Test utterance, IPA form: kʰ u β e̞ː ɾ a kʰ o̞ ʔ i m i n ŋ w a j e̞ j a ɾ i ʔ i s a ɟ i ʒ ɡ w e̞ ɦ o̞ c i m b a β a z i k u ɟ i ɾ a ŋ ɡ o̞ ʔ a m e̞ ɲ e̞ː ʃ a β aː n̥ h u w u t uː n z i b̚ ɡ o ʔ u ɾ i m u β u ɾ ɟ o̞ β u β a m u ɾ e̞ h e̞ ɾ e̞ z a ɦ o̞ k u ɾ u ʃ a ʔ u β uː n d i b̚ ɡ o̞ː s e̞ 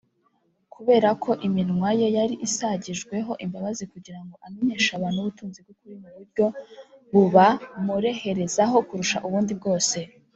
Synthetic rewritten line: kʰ u β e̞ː ɾ a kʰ o̞ ʔ i m i n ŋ w a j e̞ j a ɾ i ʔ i s a ɟ i ʒ ɡ w e̞ ɦ o̞ ʔ i m b a β a z i k u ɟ i ɾ a ŋ ɡ o̞ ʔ a m e̞ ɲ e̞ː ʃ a β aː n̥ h u β u t uː n z i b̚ ɡ o k u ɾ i m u β u ɾ ɟ o̞ β u β a m u ɾ e̞ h e̞ ɾ e̞ z a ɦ o̞ k u ɾ u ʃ a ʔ u β uː n d i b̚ ɡ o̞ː s e̞